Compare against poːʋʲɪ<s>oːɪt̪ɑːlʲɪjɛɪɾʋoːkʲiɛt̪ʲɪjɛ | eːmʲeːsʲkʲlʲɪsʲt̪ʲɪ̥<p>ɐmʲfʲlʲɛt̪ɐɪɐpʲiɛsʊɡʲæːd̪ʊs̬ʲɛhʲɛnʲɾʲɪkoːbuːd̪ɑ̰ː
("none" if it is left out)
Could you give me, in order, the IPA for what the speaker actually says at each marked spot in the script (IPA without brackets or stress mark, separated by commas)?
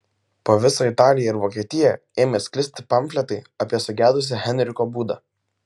s, p